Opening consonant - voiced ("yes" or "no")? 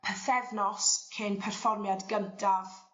no